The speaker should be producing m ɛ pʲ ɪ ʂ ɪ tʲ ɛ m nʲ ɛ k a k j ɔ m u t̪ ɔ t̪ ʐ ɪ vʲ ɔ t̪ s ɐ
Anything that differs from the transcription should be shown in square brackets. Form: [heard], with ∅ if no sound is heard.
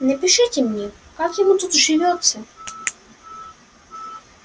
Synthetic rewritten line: [n] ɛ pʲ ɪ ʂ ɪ tʲ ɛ m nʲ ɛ k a k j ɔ m u t̪ [u] t̪ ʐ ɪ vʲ ɔ t̪ s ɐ